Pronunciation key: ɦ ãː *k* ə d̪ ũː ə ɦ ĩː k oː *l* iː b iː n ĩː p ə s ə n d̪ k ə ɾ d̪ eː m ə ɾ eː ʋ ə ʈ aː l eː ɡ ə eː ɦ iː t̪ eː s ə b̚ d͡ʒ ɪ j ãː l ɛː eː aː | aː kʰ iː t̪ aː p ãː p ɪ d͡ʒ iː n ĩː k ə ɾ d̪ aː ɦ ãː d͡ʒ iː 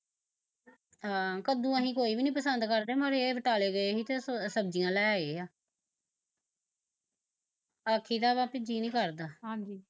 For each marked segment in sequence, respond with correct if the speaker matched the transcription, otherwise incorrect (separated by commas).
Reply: correct, incorrect